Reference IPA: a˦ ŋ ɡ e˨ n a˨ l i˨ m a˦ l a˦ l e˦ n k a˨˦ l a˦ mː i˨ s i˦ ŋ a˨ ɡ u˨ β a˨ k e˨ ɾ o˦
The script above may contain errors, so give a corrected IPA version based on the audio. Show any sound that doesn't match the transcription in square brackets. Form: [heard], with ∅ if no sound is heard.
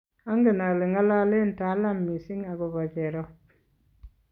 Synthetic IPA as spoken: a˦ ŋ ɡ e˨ n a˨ l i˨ [ŋ] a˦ l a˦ l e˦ n [t] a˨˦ l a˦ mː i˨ s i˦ ŋ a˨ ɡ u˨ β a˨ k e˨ ɾ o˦